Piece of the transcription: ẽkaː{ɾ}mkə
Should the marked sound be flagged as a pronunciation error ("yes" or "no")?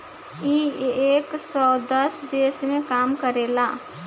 yes